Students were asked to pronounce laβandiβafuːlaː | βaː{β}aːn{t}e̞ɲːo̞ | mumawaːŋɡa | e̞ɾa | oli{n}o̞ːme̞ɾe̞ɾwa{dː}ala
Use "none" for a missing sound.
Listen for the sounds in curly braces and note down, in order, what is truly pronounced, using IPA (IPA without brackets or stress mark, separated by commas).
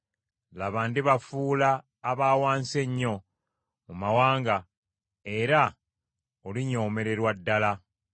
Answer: w, s, ɲ, dː